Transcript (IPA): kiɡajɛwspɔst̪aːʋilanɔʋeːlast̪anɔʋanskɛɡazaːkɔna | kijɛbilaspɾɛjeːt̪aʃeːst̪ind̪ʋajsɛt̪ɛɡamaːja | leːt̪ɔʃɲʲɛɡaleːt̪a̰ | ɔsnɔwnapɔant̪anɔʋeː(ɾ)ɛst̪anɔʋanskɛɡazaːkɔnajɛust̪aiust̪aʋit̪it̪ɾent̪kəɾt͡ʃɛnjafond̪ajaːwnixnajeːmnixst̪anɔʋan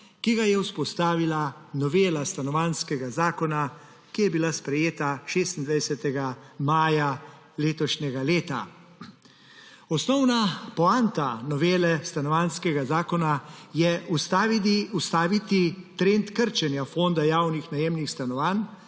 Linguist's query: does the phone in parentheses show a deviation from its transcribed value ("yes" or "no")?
yes